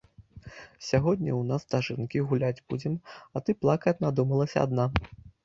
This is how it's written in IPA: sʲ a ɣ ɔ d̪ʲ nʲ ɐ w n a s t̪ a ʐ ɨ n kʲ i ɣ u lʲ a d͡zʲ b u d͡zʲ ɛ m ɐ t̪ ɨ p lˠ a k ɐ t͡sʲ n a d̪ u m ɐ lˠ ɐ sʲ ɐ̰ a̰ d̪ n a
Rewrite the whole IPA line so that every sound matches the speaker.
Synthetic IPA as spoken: sʲ a ɣ ɔ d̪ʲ nʲ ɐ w n a s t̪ a ʐ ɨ n kʲ i ɣ u lʲ a d͡zʲ b u d͡zʲ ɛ m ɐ t̪ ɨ p lˠ a k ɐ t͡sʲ n a d̪ u m ɐ lˠ ɐ sʲ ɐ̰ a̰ d̪ n a